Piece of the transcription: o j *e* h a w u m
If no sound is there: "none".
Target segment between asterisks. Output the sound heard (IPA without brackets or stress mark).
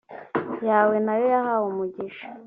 a